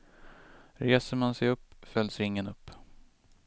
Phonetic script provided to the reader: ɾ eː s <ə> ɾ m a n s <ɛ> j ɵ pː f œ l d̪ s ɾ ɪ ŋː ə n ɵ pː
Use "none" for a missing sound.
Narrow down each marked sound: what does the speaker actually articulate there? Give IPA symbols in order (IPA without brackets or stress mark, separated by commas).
ə, ɛ